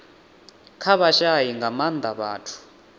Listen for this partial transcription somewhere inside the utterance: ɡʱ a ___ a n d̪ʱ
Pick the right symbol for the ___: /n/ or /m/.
m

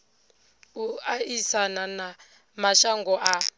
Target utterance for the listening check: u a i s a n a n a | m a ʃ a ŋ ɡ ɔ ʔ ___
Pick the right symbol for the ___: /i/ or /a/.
a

